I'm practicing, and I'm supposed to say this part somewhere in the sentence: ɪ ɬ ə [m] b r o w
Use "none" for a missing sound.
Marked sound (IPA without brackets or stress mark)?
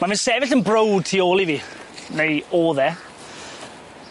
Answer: n